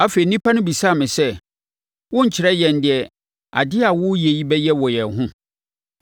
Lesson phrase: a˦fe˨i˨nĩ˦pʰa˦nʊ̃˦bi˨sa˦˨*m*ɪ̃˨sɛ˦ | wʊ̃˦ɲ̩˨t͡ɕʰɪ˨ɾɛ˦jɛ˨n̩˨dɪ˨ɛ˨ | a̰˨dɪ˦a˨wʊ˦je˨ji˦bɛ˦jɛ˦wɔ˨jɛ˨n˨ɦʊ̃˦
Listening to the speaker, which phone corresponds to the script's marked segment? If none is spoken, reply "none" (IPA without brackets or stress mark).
m